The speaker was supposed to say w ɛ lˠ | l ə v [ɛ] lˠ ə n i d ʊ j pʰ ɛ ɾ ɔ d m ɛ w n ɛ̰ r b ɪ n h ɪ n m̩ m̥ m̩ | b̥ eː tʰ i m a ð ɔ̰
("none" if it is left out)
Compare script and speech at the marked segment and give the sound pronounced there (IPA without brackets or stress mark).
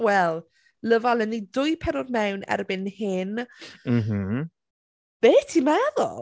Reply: a